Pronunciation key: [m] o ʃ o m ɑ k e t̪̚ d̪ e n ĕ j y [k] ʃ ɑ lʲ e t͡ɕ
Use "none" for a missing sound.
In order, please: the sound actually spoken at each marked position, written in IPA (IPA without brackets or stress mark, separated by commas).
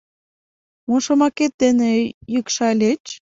m, k